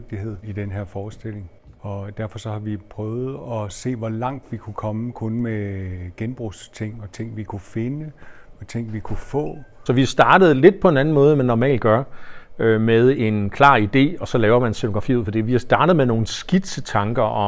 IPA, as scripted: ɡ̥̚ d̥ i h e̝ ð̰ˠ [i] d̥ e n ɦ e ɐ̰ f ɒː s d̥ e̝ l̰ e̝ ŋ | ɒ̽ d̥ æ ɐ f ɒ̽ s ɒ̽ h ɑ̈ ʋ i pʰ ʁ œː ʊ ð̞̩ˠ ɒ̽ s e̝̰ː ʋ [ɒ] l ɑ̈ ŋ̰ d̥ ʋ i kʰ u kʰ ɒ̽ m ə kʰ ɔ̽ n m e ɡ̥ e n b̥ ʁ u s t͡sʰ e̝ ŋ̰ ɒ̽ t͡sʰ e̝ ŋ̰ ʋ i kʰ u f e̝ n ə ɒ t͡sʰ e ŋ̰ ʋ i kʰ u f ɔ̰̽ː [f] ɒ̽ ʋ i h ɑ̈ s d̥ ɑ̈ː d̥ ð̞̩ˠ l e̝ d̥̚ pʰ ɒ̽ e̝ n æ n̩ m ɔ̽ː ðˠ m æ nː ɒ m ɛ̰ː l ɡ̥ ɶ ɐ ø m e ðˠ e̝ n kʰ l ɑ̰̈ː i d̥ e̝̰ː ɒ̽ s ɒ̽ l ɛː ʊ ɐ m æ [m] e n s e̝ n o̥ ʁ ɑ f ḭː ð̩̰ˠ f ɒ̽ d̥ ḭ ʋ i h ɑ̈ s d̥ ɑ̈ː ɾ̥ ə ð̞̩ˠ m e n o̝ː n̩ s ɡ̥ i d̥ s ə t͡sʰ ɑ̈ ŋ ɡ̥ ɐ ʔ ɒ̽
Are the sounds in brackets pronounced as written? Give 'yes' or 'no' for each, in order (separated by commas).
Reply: yes, yes, no, no